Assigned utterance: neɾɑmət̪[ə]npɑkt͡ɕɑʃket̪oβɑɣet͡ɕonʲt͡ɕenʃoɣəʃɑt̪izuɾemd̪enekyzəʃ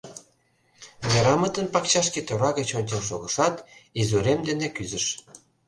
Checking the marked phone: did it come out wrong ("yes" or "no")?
no